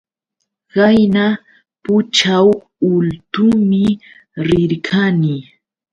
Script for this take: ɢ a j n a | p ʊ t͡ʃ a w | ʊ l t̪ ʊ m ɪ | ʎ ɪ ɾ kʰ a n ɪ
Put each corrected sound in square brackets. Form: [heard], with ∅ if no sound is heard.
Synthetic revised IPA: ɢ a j n a | p ʊ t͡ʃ a w | ʊ l t̪ ʊ m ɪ | [ɾ] ɪ ɾ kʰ a n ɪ

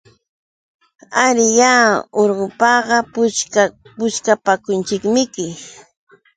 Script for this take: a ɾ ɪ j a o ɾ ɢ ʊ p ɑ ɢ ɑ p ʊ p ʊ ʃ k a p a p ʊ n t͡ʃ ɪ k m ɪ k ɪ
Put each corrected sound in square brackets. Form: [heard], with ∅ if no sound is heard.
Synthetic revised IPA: a ɾ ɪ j a o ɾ ɢ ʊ p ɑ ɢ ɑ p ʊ p ʊ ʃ k a p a [k] ʊ n t͡ʃ ɪ k m ɪ k ɪ

